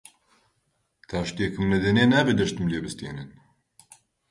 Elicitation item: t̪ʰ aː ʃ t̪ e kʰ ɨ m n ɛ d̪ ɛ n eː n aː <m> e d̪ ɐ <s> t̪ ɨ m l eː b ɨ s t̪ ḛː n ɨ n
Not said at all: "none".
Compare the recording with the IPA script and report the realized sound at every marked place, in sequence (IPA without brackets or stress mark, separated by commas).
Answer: b, ʃ